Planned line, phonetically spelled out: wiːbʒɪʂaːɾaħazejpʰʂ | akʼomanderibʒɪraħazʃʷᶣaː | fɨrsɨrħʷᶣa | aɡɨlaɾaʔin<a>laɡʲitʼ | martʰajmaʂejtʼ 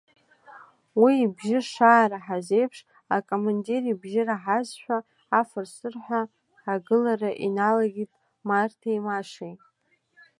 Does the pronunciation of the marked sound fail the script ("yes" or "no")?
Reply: no